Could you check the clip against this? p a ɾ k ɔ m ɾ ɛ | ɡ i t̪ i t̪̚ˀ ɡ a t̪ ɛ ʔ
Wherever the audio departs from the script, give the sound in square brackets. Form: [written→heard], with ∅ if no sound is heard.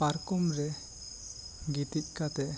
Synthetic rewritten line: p a ɾ k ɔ m ɾ ɛ | ɡ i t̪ i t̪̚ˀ [ɡ→k] a t̪ ɛ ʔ